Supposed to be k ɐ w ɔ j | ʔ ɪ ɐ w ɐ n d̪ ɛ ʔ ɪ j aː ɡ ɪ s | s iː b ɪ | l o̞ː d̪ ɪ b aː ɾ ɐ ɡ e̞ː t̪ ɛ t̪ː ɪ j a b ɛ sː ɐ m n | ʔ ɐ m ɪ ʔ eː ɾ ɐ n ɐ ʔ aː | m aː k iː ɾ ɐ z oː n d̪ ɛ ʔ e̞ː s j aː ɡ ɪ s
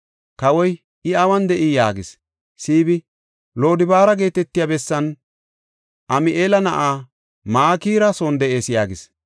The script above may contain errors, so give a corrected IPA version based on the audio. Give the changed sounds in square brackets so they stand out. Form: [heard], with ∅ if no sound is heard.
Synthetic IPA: k ɐ w ɔ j | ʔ ɪ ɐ w ɐ n d̪ ɛ ʔ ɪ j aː ɡ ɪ s | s iː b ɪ | l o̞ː d̪ ɪ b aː ɾ ɐ ɡ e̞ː t̪ ɛ t̪ː ɪ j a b ɛ sː ɐ [∅] n | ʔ ɐ m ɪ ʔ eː [l] ɐ n ɐ ʔ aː | m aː k iː ɾ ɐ [s] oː n d̪ ɛ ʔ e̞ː s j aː ɡ ɪ s